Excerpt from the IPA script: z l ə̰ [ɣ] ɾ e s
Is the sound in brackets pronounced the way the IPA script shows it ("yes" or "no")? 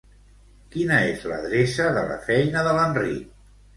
no